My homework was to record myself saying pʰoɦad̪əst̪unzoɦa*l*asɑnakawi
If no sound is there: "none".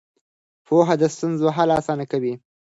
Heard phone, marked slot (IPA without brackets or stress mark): l